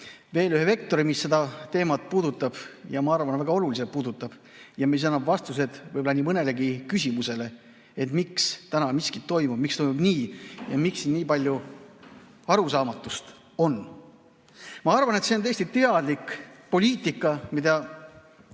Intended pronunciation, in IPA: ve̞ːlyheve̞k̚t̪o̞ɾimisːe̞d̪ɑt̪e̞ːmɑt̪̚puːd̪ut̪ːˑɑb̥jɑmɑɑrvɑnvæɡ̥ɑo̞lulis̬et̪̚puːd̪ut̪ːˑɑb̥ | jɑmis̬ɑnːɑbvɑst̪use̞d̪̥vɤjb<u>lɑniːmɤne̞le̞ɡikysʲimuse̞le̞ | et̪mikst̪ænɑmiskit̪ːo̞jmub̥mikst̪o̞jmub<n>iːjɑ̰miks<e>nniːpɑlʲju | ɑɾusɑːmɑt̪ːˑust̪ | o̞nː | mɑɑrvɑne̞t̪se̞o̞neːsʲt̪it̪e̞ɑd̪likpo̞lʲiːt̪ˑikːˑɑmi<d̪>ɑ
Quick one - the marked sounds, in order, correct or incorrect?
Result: incorrect, correct, incorrect, correct

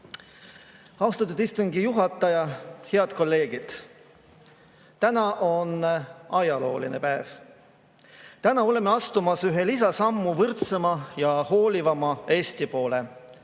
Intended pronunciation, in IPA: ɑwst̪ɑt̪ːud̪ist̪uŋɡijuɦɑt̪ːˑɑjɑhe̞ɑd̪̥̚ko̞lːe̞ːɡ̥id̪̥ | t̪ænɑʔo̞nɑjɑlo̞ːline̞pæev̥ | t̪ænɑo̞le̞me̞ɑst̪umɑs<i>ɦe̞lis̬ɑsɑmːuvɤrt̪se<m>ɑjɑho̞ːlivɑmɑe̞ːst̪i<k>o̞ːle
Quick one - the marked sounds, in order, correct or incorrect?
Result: incorrect, correct, incorrect

